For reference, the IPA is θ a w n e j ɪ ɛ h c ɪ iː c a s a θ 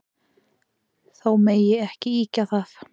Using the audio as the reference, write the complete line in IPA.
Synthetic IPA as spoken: θ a w m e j ɪ ɛ h c ɪ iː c a θ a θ